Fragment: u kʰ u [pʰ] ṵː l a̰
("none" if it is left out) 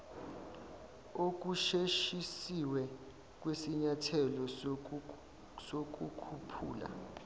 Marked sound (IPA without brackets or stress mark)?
pʰ